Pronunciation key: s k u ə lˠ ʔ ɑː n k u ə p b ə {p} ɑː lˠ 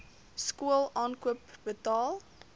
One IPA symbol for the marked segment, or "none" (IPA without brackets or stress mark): t